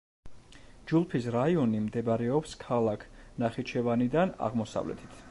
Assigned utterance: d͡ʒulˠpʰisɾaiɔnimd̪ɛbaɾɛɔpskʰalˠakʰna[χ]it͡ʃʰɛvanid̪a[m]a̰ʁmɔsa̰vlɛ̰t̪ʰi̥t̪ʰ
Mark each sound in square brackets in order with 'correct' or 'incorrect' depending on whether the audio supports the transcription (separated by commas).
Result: correct, incorrect